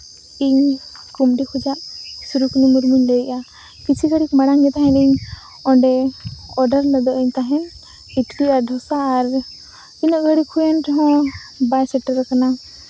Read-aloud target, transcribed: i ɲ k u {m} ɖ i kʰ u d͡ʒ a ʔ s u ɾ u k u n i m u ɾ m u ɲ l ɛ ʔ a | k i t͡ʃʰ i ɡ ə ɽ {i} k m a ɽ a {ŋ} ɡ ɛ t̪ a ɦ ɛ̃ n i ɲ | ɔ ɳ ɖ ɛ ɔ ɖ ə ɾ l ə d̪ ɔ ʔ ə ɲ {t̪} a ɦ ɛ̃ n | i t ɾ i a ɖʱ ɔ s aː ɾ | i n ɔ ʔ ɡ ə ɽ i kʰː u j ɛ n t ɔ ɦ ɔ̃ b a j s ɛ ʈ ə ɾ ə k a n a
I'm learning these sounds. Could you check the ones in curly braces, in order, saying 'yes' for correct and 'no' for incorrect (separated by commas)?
yes, yes, yes, yes